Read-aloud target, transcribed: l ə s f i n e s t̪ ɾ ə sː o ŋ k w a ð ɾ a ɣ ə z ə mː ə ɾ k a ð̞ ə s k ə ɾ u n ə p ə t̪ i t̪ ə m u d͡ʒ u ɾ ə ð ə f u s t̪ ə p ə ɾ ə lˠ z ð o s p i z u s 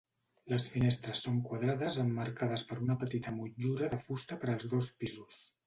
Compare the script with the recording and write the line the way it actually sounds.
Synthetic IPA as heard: l ə s f i n e s t̪ ɾ ə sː o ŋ k w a ð ɾ a ð ə z ə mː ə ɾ k a ð̞ ə s p ə ɾ u n ə p ə t̪ i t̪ ə m u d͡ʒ u ɾ ə ð ə f u s t̪ ə p ə ɾ ə lˠ z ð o s p i z u s